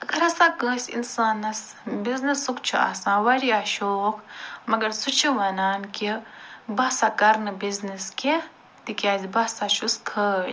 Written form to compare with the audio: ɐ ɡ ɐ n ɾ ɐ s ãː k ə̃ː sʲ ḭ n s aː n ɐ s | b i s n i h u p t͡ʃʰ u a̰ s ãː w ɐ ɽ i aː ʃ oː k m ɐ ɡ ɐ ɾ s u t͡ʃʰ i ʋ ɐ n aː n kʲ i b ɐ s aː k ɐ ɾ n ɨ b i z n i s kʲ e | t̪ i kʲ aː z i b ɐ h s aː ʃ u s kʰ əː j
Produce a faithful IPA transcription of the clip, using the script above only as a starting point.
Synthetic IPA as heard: ɐ ɡ ɐ ɾ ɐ s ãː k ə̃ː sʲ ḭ n s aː n ɐ s | b i z n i s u k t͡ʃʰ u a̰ s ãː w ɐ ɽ i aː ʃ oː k m ɐ ɡ ɐ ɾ s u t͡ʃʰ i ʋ ɐ n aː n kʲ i b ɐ s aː k ɐ ɾ n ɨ b i z n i s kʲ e | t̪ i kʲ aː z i b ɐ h s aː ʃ u s kʰ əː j